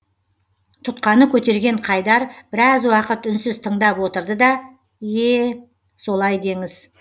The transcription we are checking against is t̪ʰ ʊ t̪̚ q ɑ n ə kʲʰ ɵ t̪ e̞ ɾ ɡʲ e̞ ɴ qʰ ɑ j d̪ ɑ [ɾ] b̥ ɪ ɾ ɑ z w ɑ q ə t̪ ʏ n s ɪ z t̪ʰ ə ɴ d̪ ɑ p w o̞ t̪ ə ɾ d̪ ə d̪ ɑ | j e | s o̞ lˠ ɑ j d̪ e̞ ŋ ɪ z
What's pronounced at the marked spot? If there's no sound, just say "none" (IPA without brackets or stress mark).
ɾ